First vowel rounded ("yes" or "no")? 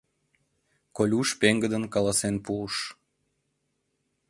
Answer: yes